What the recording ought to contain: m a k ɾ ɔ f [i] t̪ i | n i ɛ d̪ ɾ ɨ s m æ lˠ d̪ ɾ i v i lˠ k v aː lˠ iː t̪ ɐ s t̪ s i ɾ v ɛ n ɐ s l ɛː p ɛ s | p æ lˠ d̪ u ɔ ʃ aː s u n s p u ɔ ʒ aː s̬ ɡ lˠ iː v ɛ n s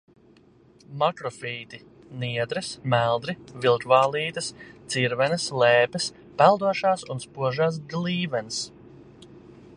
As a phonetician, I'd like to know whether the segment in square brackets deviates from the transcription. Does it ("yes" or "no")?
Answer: yes